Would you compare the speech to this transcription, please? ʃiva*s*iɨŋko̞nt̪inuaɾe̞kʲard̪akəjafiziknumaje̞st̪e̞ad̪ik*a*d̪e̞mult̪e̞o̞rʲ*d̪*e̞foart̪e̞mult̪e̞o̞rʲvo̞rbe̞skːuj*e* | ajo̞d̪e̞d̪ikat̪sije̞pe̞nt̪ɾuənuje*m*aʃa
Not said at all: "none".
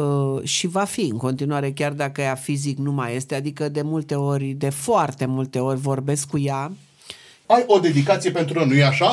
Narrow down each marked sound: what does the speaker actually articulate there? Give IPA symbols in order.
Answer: f, ə, d̪, a, none

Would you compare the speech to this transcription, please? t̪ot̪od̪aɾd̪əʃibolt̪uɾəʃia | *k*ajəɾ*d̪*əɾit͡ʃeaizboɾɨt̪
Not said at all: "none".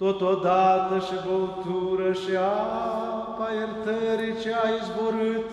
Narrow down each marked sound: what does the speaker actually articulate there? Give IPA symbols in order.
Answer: p, t̪

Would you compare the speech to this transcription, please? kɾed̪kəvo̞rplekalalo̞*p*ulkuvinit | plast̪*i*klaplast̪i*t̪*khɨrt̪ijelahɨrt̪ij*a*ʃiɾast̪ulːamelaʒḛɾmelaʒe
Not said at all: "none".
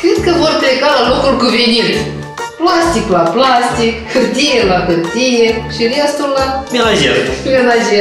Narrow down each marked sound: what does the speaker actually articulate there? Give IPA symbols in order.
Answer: k, i, none, e

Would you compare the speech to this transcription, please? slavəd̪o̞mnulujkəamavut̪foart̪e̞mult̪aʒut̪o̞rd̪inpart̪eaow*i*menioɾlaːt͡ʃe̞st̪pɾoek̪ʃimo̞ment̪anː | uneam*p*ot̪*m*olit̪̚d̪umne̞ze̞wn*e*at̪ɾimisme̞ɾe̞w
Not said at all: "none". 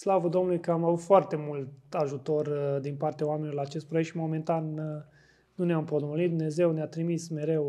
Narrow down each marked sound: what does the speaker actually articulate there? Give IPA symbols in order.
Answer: a, p, m, e

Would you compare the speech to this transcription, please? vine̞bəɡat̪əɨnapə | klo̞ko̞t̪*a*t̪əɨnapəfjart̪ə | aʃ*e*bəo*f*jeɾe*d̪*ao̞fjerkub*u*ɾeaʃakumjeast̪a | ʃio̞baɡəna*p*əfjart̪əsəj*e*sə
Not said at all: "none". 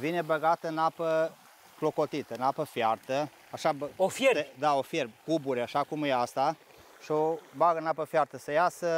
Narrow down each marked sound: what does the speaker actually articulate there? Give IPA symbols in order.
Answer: i, a, f, d̪, u, p, a

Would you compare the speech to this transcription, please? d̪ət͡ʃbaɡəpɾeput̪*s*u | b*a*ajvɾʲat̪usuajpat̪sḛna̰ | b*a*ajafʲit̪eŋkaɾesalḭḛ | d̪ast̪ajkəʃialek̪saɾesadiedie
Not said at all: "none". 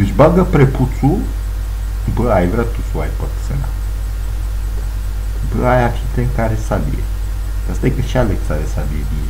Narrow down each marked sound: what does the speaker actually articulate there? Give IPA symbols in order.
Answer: s, ə, ə

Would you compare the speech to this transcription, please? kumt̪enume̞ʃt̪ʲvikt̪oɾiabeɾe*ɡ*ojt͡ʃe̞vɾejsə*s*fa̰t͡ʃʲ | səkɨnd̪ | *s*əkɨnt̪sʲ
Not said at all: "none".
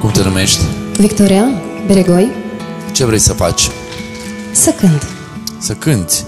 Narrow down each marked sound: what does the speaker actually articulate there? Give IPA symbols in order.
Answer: ɡ, none, s

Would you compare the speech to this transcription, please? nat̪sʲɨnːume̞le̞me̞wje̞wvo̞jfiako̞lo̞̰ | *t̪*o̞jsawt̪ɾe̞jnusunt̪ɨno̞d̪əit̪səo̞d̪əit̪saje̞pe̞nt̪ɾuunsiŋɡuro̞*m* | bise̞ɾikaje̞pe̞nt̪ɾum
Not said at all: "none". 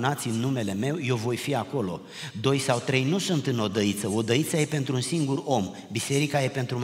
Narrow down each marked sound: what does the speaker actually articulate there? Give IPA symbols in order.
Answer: d̪, m

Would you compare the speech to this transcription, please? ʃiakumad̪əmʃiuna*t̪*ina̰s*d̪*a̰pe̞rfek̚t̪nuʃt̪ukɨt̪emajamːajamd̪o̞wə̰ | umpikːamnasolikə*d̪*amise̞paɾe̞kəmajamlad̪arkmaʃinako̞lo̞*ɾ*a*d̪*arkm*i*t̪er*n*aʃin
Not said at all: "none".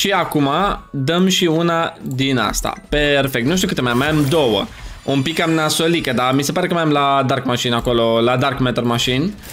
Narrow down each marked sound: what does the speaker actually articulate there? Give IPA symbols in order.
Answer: d̪, t̪, d̪, l, d̪, e, m

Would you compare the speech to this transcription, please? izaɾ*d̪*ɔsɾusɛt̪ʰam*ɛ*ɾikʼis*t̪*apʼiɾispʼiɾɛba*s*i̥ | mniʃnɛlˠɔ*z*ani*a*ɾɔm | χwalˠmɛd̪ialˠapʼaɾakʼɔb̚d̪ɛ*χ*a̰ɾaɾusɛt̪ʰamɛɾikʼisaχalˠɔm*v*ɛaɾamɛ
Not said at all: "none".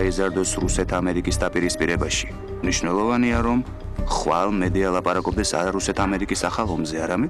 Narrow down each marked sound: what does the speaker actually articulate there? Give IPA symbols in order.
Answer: d̪, ɛ, d̪, ʃ, v, a, s, z

